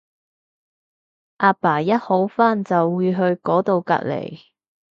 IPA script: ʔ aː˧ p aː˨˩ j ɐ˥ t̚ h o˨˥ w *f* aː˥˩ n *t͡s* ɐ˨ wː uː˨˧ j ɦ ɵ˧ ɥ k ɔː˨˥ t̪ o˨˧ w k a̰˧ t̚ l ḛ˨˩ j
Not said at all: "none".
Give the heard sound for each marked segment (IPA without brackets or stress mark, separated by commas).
f, t͡s